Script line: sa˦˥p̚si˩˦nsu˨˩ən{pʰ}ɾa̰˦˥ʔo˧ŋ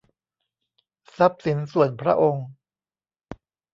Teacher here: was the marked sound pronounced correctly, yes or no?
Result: yes